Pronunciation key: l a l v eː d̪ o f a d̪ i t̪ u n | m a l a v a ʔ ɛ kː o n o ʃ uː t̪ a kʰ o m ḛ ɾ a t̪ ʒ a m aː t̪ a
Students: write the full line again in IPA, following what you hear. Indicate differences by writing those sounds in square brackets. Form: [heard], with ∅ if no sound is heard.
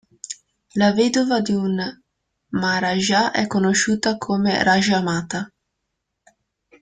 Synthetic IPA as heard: l a [∅] v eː d̪ o [v] a d̪ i [∅] u n | m a [ɾ] a [ʒ] a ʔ ɛ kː o n o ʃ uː t̪ a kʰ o m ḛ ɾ a [∅] ʒ a m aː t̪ a